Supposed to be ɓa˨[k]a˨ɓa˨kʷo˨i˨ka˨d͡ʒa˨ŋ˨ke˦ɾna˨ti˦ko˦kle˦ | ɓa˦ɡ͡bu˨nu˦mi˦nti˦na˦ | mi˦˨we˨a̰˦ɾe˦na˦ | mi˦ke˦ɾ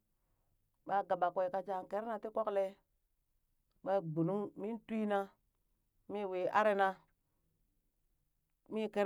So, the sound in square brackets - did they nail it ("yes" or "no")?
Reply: no